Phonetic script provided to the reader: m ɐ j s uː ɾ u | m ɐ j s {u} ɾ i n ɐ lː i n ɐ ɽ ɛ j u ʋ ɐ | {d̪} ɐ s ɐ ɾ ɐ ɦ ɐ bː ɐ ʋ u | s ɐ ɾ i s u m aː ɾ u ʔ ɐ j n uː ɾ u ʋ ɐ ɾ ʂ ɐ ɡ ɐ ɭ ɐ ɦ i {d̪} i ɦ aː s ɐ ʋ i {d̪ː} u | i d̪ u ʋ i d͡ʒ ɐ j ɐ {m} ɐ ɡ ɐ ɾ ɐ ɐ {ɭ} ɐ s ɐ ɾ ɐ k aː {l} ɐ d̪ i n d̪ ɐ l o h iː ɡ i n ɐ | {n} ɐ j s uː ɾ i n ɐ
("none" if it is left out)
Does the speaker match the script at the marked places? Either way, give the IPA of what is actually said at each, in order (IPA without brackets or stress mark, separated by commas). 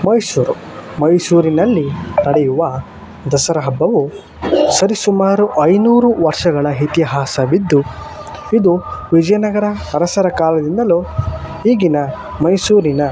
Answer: uː, d̪, t̪, d̪ː, n, ɾ, l, m